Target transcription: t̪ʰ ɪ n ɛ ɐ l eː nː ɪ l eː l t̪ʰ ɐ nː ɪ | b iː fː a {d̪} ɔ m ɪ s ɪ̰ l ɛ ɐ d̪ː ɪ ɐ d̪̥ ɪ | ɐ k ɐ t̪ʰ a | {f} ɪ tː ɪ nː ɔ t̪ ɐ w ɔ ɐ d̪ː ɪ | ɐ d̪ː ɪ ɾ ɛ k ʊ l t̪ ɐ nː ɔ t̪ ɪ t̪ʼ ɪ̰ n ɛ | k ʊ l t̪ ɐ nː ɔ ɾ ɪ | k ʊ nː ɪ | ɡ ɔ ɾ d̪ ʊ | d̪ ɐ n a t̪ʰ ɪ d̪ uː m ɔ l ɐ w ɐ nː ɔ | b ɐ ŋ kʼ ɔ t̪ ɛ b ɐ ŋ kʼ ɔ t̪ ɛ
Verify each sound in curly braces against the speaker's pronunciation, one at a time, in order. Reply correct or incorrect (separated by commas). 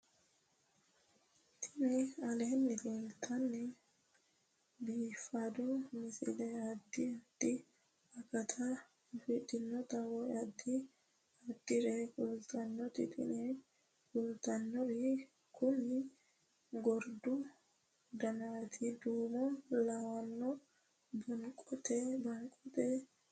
correct, correct